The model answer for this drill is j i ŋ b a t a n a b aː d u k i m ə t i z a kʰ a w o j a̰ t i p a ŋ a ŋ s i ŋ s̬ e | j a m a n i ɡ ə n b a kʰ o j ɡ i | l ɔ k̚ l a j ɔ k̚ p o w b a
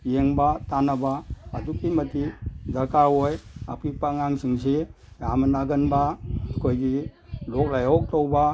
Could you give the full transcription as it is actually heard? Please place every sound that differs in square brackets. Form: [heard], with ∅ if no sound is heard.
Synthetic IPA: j [e] ŋ b a t a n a b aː d u k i m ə t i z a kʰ a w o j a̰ [p] i p a ŋ a ŋ s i ŋ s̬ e | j a m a n [a] ɡ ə n b a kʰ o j ɡ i | l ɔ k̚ l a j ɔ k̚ [t] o w b a